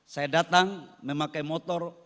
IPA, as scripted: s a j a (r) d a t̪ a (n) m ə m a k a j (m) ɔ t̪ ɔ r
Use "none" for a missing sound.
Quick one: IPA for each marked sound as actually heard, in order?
none, ŋ, m

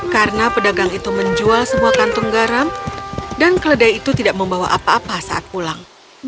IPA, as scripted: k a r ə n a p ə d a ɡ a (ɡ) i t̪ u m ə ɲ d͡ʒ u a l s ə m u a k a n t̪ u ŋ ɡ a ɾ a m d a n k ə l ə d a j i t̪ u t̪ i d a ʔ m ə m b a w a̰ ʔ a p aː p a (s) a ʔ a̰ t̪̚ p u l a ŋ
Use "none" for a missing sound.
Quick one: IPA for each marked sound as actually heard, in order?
ŋ, s

